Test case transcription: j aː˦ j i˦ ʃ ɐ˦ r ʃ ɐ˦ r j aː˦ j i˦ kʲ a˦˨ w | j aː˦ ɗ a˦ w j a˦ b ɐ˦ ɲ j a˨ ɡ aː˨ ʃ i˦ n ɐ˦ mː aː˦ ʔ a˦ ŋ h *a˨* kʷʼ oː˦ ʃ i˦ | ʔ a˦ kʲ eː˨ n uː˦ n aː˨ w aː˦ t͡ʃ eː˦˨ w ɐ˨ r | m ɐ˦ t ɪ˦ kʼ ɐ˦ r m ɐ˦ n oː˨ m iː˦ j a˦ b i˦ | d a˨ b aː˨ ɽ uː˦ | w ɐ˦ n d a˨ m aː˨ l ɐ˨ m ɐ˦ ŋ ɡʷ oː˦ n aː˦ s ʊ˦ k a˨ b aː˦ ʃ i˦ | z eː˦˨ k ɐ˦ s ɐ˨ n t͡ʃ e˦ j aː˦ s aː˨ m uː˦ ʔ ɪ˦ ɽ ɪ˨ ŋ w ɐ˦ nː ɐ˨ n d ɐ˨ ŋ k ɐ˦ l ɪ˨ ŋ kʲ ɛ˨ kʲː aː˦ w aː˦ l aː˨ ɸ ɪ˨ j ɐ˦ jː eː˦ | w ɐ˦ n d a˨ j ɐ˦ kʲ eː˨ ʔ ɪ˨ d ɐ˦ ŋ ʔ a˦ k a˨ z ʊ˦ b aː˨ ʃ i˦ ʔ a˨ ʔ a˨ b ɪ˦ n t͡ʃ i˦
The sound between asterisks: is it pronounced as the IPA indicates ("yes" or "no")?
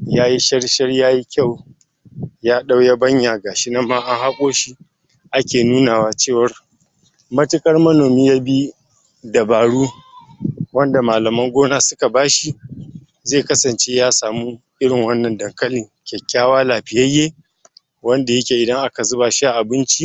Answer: no